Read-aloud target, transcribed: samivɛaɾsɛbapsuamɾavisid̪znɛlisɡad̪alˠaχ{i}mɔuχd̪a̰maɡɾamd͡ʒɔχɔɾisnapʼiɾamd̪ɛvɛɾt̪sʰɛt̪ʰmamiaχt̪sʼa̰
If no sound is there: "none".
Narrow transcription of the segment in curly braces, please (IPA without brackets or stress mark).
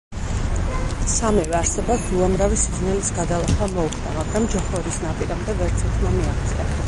a